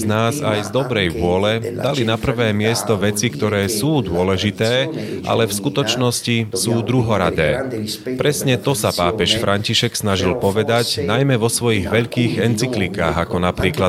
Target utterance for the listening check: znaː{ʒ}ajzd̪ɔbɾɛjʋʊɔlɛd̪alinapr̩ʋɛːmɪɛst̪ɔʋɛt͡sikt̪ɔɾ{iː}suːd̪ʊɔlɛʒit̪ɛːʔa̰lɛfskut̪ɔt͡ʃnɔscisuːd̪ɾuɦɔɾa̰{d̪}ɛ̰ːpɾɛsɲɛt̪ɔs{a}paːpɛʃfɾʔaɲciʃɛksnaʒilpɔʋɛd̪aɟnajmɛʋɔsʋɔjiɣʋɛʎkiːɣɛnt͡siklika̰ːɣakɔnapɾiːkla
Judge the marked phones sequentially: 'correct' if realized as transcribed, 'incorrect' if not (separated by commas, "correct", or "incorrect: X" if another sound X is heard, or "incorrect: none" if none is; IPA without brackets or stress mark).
incorrect: z, incorrect: ɛː, correct, correct